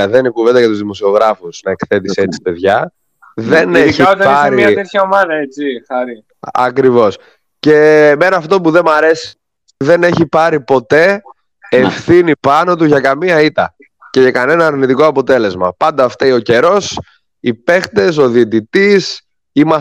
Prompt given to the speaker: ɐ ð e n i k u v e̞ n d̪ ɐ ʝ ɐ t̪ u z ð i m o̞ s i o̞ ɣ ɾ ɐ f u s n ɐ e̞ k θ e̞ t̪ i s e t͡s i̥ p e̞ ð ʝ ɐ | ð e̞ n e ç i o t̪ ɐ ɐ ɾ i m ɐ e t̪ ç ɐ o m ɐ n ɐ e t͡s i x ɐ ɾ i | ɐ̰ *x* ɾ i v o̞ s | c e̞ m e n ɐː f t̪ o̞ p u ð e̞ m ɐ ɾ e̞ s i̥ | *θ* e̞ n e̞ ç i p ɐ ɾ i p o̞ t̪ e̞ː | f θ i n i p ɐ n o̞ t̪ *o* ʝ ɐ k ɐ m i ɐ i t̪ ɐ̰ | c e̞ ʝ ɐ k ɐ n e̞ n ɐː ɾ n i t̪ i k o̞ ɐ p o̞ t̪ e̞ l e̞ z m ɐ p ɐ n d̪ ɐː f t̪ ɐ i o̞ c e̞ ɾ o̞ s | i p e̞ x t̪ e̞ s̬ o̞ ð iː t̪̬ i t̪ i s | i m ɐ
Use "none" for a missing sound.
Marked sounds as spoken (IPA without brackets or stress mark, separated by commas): k, ð, u